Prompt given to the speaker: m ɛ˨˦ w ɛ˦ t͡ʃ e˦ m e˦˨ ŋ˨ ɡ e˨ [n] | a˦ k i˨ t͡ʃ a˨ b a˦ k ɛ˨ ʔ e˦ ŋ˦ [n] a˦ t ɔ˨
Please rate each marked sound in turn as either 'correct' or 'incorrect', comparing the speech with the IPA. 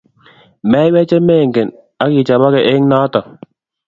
correct, correct

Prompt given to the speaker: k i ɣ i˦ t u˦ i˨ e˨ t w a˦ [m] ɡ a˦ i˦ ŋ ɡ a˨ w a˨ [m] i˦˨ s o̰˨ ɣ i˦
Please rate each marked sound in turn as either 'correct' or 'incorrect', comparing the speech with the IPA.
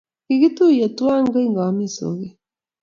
incorrect: ŋ, correct

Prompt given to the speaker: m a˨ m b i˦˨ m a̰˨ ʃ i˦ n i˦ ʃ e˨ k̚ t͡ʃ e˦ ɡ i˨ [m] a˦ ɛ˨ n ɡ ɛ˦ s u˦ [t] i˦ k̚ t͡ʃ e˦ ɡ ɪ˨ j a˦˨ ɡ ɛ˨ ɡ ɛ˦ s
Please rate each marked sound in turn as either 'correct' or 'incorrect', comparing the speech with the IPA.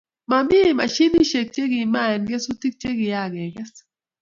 correct, correct

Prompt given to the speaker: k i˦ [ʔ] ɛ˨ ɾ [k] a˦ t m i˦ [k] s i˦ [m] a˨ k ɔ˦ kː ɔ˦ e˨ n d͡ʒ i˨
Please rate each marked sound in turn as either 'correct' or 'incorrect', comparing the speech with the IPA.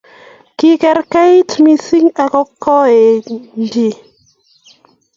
incorrect: k, correct, incorrect: none, incorrect: ŋ

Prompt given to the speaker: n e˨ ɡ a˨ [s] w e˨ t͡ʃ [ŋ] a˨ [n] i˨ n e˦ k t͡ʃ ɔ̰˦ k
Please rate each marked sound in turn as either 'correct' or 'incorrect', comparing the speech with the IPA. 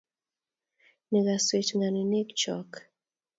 correct, correct, correct

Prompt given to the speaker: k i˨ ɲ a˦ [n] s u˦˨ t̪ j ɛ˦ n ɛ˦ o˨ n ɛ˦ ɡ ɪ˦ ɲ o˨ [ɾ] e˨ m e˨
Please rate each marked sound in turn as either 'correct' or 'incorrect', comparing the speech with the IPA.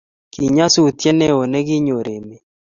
incorrect: none, correct

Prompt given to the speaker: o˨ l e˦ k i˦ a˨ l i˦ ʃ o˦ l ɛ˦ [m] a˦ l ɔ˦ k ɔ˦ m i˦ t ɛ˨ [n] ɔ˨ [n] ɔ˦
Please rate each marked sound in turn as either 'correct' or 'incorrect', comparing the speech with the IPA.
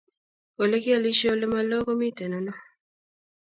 correct, correct, correct

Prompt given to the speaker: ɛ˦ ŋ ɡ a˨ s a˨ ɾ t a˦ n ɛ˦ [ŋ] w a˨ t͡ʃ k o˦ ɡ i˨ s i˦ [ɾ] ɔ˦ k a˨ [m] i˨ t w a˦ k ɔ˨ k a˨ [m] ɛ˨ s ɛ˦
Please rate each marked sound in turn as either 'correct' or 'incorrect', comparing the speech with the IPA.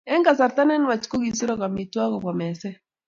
incorrect: n, correct, correct, correct

